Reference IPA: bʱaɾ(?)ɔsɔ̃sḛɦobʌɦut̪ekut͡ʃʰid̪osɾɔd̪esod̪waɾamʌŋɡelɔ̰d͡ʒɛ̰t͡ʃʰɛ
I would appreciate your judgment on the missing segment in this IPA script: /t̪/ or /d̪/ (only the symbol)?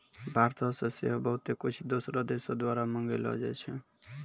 t̪